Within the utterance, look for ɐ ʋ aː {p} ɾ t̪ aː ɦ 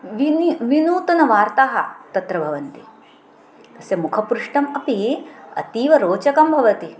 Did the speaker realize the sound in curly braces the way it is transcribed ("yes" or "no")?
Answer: no